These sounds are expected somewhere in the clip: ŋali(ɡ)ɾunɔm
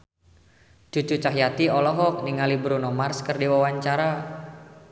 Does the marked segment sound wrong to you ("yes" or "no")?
yes